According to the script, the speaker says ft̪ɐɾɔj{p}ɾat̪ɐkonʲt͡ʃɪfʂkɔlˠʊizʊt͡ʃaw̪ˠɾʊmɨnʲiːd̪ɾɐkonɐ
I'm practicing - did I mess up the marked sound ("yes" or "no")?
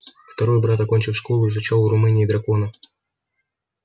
yes